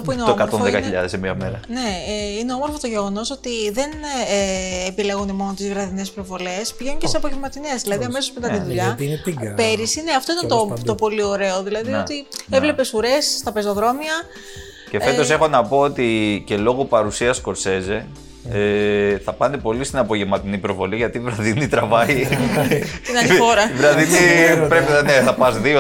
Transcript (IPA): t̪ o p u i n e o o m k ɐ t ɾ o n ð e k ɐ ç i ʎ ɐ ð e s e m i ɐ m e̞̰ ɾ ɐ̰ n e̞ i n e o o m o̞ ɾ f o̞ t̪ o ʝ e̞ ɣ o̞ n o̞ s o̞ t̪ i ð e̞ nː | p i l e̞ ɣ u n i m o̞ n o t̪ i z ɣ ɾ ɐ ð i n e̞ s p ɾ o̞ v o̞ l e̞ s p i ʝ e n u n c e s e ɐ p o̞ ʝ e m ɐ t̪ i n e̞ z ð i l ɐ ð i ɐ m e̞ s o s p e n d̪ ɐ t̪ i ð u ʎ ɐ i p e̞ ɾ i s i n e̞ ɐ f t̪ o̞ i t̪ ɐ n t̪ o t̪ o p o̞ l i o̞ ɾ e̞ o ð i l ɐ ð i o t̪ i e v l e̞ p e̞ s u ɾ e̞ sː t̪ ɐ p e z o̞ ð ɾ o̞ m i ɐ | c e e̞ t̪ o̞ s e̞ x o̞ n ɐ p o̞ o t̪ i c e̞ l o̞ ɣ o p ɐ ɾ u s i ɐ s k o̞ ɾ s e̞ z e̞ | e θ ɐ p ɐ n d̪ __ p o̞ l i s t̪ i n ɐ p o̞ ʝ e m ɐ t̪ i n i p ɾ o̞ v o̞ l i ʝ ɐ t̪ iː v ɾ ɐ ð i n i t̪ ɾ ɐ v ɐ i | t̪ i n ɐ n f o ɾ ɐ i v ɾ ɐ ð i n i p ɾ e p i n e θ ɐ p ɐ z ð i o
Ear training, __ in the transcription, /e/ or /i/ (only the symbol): e